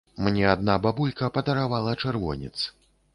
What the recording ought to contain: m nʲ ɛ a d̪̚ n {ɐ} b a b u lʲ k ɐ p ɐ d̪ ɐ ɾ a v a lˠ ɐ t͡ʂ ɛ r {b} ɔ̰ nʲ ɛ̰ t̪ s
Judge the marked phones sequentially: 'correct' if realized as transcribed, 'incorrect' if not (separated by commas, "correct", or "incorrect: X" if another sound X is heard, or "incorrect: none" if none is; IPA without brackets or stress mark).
incorrect: a, incorrect: v